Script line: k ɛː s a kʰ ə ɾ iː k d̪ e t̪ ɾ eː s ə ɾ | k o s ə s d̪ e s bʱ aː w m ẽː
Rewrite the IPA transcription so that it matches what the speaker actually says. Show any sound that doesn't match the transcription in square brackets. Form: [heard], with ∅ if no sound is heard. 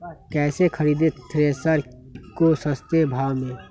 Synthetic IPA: k ɛː s [e] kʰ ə ɾ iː [∅] d̪ e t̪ ɾ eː s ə ɾ | k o s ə s [t̪] e [∅] bʱ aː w m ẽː